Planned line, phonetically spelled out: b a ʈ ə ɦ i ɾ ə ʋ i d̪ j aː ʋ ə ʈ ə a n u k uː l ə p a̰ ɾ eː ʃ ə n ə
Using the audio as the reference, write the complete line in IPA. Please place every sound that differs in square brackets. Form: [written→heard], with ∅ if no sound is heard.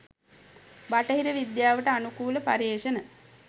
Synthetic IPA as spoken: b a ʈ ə ɦ i ɾ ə ʋ i d̪ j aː ʋ ə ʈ ə a n u k uː l ə p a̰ ɾ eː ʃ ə n ə